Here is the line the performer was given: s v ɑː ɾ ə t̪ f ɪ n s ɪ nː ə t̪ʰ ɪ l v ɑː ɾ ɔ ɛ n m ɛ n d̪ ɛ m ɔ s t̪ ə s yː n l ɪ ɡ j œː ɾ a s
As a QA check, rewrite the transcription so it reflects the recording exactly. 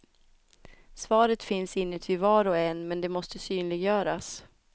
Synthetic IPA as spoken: s v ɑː ɾ ə t̪ f ɪ n s ɪ nː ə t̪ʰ ɪ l v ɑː ɾ ɔ ɛ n m ɛ n d̪ ɛ m ɔ s t̪ ə s yː n l ɪ ɡ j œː ɾ a s